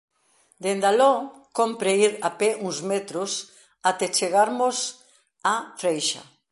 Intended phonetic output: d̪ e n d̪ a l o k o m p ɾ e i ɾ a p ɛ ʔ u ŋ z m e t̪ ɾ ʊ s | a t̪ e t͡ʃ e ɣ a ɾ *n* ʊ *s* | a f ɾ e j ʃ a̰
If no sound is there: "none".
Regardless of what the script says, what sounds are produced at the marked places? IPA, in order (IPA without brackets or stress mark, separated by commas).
m, s